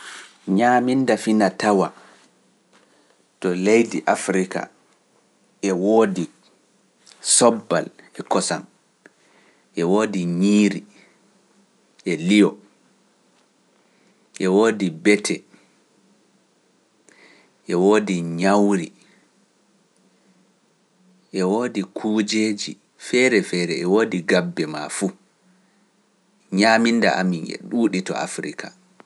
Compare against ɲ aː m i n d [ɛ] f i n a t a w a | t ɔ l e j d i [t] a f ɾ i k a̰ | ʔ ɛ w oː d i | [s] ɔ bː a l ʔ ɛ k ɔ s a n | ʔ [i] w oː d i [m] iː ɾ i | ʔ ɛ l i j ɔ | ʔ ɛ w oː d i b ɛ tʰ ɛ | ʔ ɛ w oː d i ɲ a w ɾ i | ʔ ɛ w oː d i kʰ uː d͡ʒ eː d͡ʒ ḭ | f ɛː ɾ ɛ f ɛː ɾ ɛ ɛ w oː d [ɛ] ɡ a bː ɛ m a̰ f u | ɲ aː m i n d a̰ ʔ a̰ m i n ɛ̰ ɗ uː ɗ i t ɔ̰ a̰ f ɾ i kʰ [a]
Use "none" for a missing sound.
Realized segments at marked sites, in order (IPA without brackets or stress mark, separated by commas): a, ʔ, s, ɛ, ɲ, i, a